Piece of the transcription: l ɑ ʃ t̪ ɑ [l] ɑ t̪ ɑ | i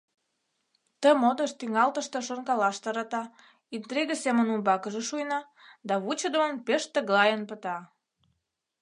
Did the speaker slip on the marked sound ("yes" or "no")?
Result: yes